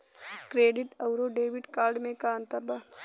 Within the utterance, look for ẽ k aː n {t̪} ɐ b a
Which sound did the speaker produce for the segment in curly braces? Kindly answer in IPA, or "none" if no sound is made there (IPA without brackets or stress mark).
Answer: t̪